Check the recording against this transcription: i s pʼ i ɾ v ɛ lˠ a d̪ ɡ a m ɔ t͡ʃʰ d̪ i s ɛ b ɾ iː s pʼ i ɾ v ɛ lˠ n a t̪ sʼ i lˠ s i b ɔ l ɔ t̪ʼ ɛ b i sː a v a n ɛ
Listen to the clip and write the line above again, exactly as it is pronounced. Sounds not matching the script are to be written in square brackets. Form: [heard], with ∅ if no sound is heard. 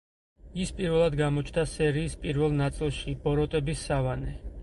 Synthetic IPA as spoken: i s pʼ i ɾ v ɛ lˠ a d̪ ɡ a m ɔ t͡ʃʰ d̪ [a] s ɛ [∅] ɾ iː s pʼ i ɾ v ɛ lˠ n a t̪ sʼ i lˠ [ʃ] i b ɔ [ɾ] ɔ t̪ʼ ɛ b i sː a v a n ɛ